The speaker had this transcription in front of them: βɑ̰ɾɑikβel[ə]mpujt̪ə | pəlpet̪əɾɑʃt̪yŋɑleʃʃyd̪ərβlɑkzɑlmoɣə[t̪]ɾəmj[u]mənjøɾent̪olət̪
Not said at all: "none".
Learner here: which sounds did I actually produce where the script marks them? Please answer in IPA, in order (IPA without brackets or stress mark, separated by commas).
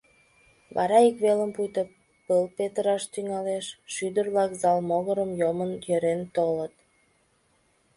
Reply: ə, none, o